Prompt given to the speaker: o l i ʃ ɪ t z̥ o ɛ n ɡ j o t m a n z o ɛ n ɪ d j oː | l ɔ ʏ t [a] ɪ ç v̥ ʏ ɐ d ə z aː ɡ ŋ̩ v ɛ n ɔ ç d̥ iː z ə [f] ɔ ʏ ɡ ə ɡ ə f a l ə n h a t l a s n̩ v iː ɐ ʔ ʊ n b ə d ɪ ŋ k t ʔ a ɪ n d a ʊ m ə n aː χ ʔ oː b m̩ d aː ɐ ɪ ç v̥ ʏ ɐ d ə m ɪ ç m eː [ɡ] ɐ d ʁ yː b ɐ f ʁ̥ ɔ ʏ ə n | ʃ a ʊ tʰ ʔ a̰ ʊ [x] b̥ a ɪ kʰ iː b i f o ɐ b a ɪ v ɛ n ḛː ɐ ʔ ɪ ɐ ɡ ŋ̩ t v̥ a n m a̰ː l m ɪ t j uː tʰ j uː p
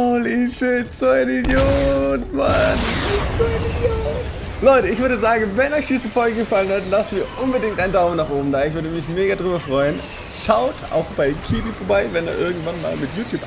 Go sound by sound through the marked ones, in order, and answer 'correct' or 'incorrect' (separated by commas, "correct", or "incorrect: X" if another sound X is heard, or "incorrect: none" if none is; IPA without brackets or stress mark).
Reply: incorrect: ə, correct, correct, correct